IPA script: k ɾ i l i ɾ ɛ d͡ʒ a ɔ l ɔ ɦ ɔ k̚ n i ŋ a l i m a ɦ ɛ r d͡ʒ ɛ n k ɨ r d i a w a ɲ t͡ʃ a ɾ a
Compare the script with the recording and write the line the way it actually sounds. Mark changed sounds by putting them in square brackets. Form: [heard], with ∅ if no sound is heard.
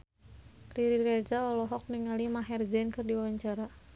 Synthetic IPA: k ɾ i [ɾ] i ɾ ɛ d͡ʒ a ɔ l ɔ ɦ ɔ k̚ n i ŋ a l i m a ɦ ɛ r d͡ʒ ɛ n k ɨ r d i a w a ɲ t͡ʃ a ɾ a